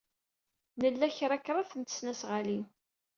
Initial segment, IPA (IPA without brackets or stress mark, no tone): n